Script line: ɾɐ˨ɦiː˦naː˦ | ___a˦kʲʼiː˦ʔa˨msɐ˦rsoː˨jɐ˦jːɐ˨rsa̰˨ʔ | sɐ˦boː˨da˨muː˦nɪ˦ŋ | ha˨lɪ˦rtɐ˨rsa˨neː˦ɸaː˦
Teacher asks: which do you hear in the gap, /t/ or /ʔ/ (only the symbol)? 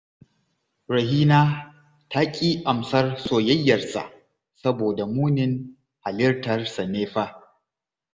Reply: t